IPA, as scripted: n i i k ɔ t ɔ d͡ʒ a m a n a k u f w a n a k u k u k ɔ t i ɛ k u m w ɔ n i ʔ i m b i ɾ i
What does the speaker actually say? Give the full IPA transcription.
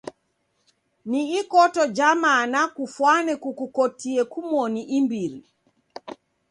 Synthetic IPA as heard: n i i k ɔ t ɔ d͡ʒ a m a n a k u f w a n ɛ k u k u k ɔ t i ɛ k u m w ɔ n i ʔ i m b i ɾ i